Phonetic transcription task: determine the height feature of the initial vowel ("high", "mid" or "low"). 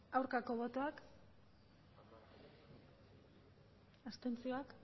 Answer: low